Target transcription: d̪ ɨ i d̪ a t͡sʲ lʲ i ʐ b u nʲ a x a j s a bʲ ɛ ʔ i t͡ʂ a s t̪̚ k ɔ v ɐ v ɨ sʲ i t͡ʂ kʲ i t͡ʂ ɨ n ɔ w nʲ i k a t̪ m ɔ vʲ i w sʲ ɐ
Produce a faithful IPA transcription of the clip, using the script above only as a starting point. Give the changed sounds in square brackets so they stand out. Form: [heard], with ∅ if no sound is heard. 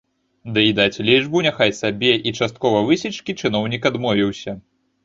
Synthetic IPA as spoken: d̪ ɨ i d̪ a t͡sʲ lʲ i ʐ b u nʲ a x a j s a bʲ ɛ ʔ i t͡ʂ a s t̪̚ k ɔ v ɐ v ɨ sʲ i t͡ʂ kʲ i t͡ʂ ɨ n ɔ w nʲ i k a [d̪] m ɔ vʲ i w sʲ ɐ